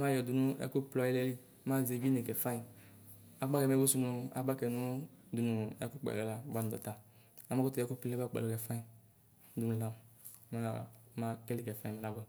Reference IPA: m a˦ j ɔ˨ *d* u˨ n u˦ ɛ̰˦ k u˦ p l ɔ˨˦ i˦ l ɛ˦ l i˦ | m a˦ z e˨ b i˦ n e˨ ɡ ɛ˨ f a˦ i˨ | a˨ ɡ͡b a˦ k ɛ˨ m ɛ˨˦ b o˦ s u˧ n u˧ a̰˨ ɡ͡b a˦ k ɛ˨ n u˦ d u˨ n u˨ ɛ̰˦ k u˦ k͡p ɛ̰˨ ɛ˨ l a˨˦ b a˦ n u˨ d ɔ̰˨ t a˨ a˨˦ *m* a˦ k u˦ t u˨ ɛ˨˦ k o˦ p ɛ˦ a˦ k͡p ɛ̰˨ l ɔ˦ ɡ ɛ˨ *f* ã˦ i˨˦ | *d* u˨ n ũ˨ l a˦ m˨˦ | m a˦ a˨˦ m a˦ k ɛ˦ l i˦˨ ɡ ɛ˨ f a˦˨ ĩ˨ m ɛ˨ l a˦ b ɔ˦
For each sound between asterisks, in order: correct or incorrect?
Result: correct, correct, correct, correct

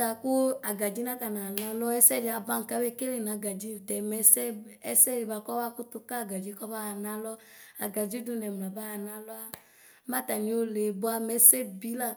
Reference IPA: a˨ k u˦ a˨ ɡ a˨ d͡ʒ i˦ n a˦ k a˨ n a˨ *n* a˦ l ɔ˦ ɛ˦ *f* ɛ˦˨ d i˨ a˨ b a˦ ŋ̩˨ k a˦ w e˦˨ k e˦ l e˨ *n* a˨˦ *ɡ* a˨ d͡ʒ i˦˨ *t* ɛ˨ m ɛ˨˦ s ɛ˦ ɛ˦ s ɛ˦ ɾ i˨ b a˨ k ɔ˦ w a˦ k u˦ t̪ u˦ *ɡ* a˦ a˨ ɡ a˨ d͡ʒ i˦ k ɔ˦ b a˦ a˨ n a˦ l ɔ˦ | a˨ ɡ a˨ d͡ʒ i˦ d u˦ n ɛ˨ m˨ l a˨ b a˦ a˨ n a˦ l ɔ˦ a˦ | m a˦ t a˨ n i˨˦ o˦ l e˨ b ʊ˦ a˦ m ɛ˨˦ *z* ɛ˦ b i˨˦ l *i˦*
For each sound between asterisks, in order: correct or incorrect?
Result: correct, incorrect, correct, correct, correct, incorrect, incorrect, incorrect

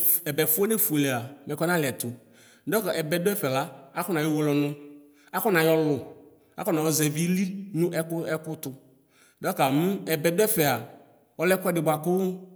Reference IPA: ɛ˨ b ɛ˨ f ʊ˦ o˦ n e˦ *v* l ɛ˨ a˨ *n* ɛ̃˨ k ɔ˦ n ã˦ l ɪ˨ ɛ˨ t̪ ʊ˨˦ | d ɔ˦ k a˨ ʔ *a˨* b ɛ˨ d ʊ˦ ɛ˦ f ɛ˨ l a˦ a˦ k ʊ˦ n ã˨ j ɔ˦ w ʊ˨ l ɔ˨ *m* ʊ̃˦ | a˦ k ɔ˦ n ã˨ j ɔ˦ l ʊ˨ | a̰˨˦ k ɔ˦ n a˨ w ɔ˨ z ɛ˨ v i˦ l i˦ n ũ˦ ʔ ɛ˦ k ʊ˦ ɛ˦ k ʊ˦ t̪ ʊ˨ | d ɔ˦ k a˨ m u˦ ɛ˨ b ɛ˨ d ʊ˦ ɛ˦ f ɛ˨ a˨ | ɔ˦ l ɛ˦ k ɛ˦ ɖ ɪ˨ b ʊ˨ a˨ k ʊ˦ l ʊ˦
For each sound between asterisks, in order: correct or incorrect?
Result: incorrect, incorrect, incorrect, incorrect

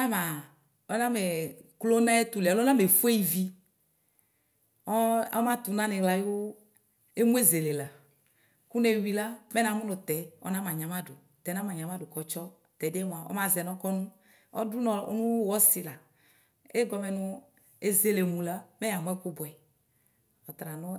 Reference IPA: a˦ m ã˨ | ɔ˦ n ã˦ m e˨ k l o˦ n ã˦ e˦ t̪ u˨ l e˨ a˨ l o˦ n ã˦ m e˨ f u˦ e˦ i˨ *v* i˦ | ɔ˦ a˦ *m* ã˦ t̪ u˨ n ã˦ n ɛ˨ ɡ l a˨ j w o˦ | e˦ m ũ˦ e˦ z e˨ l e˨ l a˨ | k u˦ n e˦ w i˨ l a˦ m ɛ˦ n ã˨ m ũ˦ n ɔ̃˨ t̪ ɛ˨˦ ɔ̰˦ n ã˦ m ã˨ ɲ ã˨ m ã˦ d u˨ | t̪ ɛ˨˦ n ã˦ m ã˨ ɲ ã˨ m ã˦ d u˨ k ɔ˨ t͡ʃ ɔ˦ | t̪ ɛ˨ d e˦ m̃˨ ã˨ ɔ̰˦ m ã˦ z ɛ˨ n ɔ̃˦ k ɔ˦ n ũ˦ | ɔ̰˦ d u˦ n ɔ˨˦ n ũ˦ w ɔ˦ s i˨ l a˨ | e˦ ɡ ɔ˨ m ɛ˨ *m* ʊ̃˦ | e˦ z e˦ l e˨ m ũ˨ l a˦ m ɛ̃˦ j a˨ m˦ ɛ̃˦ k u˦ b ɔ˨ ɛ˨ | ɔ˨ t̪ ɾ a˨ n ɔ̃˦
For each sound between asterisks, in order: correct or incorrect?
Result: correct, correct, incorrect

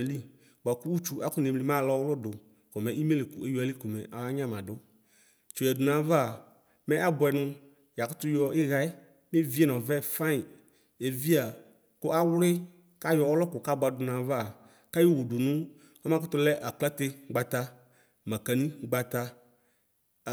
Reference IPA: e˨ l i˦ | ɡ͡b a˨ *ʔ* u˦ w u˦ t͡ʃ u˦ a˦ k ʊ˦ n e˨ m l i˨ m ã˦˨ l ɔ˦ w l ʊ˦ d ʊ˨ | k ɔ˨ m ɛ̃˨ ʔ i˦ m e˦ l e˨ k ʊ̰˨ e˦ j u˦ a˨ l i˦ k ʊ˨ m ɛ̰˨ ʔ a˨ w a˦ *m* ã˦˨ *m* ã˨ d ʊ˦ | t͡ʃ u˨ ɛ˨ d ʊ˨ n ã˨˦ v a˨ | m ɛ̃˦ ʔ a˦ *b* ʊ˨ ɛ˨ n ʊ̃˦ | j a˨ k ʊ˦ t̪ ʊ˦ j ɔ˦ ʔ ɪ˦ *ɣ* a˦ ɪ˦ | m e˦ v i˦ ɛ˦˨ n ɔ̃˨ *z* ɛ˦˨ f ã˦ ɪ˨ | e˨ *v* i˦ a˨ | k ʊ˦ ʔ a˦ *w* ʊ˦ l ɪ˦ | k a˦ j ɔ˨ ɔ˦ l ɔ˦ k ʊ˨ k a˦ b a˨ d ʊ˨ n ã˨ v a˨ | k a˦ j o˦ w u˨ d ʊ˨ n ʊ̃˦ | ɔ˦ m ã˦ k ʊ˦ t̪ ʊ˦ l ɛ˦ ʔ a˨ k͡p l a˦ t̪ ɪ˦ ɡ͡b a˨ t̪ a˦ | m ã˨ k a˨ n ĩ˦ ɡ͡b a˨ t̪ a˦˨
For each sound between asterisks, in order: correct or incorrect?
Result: incorrect, incorrect, correct, correct, correct, incorrect, correct, correct

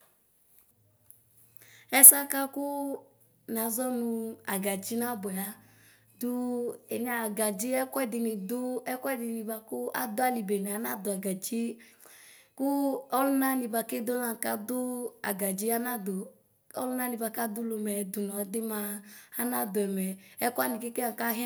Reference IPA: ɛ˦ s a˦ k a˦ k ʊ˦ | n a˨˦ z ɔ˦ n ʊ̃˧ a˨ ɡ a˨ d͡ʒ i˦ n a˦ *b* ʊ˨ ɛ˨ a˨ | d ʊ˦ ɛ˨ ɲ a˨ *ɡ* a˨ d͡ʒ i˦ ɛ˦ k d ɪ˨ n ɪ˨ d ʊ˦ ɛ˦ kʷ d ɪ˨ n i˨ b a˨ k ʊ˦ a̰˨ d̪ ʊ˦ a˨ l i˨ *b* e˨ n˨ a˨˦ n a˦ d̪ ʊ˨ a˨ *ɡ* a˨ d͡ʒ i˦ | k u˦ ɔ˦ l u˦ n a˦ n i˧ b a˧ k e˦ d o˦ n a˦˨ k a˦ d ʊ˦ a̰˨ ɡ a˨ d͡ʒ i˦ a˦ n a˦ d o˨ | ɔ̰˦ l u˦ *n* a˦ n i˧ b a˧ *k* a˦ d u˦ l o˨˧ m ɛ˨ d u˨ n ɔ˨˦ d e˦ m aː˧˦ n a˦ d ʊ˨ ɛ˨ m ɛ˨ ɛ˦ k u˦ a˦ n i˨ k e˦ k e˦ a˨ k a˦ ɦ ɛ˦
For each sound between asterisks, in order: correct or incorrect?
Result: correct, correct, correct, correct, correct, correct

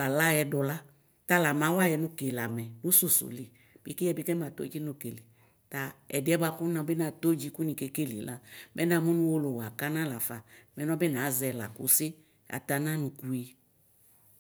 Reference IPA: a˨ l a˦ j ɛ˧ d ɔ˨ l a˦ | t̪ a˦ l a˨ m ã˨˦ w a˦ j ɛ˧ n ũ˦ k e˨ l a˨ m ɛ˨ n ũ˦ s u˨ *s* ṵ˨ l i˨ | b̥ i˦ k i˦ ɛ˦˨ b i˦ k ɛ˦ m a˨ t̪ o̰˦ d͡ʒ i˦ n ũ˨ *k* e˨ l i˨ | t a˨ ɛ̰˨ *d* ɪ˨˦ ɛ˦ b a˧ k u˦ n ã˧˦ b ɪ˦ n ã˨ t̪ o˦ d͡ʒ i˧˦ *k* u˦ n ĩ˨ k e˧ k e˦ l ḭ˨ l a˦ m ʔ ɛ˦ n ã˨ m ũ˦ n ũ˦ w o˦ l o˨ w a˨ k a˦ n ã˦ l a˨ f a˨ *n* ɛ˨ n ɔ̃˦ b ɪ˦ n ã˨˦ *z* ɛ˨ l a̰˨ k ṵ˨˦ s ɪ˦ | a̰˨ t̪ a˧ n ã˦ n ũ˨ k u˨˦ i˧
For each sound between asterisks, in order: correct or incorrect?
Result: correct, correct, correct, correct, incorrect, correct

